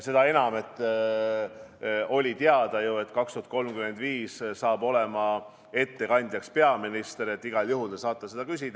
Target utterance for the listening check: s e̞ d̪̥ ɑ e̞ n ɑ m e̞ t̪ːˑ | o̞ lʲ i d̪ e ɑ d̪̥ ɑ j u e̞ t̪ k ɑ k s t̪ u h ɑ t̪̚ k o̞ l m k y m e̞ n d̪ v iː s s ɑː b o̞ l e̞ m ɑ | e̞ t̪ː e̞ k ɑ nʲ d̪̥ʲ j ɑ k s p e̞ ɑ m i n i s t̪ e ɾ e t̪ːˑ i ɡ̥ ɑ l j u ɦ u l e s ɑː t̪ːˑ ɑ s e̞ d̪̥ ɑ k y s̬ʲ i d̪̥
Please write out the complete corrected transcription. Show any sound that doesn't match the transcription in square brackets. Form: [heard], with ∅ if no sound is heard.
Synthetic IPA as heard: s e̞ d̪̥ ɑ e̞ n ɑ m e̞ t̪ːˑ | o̞ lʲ i [t̪] e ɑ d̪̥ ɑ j u e̞ t̪ k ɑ k s t̪ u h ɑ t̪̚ k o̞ l m k y m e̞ n d̪ v iː s s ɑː b o̞ l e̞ m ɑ | e̞ t̪ː e̞ k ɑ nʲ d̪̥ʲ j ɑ k s p e̞ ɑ m i n i s t̪ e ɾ e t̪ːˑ i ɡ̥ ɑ l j u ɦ u l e s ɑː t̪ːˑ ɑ s e̞ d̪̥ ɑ k y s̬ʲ i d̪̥